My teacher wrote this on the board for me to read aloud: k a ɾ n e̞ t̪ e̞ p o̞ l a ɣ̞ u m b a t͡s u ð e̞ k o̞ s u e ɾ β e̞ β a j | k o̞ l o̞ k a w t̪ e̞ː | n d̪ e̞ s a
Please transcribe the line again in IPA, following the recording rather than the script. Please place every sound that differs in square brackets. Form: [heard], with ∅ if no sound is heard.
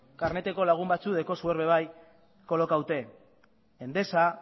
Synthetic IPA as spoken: k a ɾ n e̞ t̪ e̞ [k] o̞ l a ɣ̞ u m b a t͡s u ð e̞ k o̞ s u e ɾ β e̞ β a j | k o̞ l o̞ k a w t̪ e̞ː | n d̪ e̞ s a